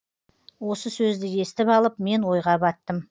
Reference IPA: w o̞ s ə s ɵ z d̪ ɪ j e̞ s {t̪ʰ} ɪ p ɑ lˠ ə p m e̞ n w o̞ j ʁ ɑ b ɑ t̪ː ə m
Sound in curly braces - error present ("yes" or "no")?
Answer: yes